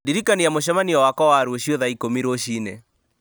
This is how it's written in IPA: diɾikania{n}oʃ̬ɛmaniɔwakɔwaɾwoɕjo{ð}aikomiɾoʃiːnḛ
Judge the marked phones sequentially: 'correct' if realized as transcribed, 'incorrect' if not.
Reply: incorrect: m, correct

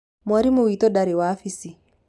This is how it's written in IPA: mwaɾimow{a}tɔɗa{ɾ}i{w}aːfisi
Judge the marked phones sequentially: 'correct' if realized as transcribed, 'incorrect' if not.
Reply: incorrect: i, correct, correct

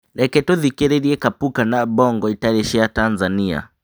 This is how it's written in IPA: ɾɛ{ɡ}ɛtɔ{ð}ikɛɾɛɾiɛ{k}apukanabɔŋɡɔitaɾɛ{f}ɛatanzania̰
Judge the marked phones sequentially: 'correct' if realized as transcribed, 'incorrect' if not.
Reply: incorrect: k, correct, correct, incorrect: ʃ

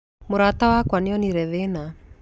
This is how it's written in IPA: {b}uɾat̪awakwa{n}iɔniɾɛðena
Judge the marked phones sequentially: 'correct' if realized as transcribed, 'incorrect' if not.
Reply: incorrect: m, correct

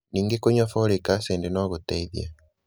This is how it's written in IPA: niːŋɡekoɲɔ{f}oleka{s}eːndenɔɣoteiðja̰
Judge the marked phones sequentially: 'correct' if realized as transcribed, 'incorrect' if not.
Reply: correct, correct

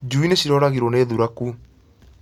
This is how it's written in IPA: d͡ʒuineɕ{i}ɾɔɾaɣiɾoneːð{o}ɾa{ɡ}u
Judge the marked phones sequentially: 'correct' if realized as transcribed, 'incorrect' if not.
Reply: correct, incorrect: u, incorrect: k

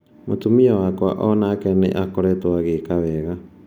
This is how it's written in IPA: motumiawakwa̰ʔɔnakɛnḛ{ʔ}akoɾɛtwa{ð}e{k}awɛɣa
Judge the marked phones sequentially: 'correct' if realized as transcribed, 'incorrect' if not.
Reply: correct, incorrect: ɣ, correct

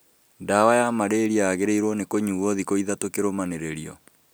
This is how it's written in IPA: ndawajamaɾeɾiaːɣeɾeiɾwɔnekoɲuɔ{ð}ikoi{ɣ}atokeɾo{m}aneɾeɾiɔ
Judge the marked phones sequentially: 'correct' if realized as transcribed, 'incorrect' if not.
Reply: correct, incorrect: ð, correct

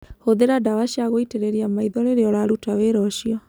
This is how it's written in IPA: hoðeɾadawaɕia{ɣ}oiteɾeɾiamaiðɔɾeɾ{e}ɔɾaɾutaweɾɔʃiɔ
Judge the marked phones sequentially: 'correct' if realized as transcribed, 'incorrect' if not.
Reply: correct, correct

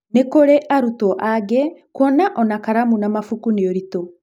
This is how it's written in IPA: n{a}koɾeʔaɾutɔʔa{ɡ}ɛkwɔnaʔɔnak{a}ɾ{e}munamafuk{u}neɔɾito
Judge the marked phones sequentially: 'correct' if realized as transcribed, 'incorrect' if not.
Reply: incorrect: e, correct, correct, incorrect: a, correct

